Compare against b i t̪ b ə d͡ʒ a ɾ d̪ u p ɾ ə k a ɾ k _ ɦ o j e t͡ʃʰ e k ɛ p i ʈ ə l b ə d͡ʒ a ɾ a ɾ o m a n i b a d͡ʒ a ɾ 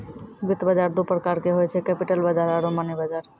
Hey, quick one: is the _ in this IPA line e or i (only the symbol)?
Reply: e